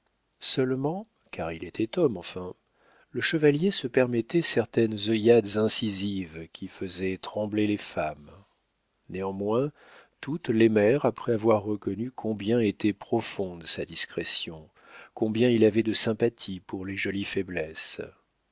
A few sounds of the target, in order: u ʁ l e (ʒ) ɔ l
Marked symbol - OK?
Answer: yes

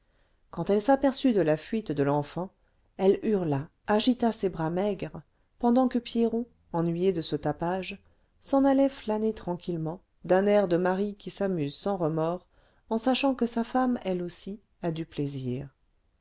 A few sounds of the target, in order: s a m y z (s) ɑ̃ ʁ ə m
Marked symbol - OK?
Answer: yes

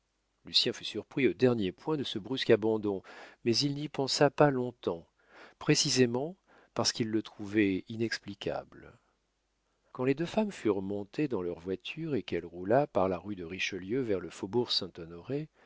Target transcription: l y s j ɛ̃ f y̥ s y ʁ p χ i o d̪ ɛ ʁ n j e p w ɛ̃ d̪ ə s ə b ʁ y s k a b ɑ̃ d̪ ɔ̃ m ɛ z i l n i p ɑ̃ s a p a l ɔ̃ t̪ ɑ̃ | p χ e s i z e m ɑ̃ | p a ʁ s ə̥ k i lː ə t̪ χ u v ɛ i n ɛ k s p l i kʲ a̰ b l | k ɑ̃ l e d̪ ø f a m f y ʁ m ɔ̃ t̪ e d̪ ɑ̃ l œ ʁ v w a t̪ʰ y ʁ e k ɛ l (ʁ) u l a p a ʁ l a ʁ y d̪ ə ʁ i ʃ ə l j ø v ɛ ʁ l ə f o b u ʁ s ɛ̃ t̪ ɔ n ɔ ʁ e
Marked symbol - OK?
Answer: yes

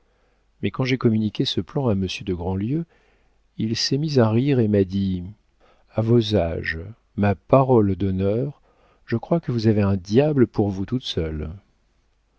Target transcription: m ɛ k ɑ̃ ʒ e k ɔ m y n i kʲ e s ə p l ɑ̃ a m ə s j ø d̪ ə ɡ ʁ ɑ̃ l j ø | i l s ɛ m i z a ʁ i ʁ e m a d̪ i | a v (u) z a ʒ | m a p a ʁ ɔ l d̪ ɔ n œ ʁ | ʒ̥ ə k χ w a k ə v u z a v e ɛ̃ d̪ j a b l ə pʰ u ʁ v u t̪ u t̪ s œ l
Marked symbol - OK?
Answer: no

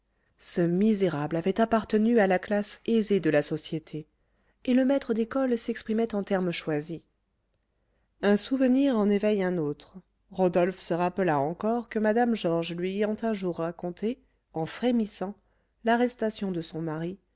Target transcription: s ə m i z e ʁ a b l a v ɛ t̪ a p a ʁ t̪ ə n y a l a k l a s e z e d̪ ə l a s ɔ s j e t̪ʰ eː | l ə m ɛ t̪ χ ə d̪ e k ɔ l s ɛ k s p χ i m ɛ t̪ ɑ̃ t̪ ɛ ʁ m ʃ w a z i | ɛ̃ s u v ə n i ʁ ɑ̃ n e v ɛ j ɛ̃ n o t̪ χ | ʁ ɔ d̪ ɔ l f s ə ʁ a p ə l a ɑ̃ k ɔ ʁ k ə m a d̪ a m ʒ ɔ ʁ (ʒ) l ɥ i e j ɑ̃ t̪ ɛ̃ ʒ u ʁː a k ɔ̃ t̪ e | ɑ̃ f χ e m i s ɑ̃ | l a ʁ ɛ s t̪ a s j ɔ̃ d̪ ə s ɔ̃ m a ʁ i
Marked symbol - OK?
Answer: yes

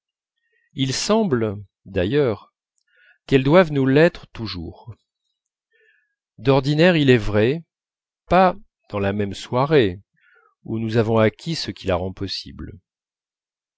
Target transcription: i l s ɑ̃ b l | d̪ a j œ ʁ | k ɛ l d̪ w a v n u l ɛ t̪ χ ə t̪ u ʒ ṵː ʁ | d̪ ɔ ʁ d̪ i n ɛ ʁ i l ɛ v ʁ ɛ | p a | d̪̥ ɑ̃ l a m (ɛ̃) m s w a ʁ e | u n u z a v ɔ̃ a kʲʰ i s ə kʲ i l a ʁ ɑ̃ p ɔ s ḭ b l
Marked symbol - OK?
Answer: no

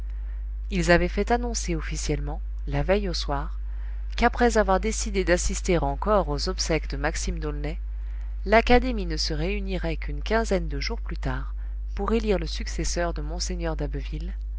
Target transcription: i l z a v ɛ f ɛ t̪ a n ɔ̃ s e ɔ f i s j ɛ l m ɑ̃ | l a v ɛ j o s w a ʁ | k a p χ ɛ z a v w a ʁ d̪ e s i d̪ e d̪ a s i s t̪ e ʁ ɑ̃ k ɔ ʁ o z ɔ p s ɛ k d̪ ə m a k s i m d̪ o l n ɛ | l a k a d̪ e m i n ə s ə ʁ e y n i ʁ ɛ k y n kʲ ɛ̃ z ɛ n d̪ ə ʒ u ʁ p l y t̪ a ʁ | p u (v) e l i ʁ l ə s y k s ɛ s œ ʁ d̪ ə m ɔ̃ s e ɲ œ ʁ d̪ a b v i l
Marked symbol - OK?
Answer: no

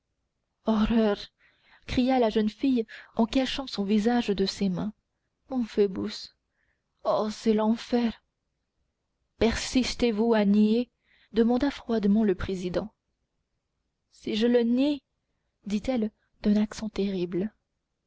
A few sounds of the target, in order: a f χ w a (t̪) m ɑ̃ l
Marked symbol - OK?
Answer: no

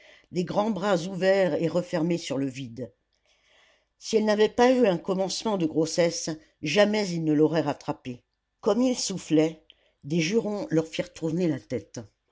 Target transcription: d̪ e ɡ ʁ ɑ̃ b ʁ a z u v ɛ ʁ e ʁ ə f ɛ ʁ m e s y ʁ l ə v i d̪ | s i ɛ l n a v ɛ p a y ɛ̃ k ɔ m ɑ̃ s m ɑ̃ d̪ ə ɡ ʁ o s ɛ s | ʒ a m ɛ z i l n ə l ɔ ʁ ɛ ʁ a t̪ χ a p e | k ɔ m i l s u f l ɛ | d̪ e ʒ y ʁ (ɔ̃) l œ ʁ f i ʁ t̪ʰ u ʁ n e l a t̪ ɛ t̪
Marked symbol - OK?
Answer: yes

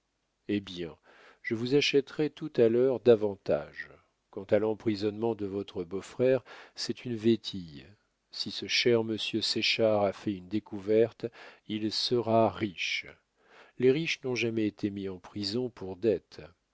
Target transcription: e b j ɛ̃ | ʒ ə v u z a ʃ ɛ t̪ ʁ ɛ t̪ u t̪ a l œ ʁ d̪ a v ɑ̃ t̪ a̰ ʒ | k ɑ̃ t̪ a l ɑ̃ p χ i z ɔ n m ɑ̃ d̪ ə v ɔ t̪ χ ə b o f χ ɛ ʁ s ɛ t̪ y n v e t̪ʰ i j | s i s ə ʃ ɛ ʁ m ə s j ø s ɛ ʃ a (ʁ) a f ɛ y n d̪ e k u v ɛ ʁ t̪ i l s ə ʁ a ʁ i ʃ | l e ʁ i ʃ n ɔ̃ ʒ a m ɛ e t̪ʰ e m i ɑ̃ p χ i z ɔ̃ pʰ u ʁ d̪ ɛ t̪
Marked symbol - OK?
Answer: yes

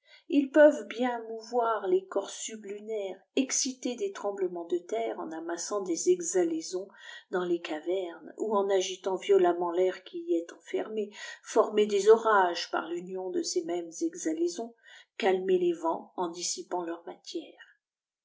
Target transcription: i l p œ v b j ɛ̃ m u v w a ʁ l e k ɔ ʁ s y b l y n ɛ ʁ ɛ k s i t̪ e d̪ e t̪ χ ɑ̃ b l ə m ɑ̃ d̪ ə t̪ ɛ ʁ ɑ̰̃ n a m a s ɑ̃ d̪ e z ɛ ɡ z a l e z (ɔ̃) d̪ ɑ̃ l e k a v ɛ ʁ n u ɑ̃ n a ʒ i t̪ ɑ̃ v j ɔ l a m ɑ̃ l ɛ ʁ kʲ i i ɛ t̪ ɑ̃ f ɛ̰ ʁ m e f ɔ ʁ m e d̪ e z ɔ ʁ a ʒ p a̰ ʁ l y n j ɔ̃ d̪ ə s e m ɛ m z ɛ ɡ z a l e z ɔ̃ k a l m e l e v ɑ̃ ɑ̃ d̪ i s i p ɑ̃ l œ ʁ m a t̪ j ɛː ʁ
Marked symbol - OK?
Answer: yes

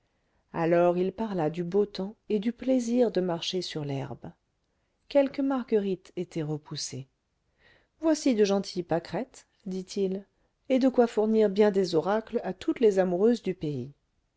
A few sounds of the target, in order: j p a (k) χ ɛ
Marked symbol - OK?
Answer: yes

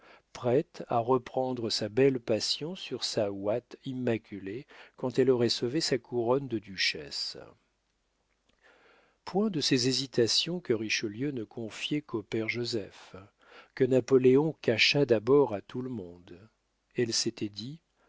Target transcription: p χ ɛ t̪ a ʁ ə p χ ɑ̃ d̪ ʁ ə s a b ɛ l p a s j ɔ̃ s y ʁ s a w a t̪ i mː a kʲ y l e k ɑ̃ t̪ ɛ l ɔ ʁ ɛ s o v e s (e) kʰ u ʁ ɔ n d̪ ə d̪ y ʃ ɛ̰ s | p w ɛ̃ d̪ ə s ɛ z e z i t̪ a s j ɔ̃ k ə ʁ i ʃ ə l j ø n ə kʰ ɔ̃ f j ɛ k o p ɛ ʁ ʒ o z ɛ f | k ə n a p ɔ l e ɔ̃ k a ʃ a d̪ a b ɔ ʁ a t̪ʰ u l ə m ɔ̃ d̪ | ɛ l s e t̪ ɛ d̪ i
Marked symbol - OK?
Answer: no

